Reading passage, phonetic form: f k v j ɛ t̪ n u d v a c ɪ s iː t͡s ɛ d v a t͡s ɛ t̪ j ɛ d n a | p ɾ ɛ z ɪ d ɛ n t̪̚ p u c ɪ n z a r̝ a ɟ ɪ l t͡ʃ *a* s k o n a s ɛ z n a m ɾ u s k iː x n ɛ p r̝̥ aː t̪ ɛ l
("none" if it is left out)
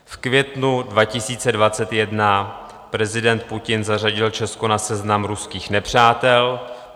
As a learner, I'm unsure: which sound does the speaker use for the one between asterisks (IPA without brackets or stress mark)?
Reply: ɛ